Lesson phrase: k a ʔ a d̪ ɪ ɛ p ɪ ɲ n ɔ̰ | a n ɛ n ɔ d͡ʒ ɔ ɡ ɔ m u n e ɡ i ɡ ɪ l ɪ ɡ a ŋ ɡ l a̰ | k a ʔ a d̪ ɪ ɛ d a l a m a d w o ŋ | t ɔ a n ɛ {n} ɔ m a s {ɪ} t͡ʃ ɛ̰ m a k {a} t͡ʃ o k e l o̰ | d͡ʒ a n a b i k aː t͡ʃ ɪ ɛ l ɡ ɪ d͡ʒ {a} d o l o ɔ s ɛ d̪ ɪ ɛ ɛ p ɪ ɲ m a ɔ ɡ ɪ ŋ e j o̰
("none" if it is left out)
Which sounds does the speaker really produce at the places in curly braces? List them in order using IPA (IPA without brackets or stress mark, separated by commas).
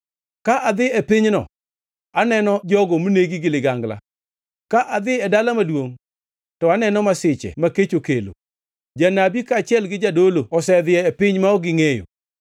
n, ɪ, e, a